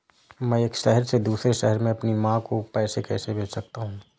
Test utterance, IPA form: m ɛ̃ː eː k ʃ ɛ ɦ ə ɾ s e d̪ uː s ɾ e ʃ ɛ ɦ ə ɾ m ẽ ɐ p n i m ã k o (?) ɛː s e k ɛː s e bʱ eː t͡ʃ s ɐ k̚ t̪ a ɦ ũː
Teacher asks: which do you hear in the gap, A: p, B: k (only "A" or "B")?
A